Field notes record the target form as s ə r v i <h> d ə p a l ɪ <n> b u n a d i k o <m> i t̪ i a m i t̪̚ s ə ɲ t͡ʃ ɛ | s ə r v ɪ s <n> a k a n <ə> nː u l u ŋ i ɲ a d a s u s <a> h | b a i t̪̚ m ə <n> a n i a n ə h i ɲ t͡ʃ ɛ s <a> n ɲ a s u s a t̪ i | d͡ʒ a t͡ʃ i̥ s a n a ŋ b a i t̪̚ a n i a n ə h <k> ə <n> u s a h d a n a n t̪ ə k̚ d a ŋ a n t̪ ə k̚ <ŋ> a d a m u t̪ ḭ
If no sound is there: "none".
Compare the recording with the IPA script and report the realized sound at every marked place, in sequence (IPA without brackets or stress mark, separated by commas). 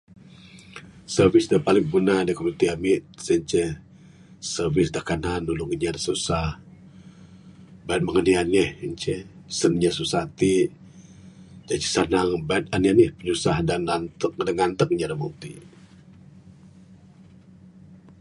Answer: s, ŋ, m, d, a, a, ŋ, ə, p, ɲ, ɲ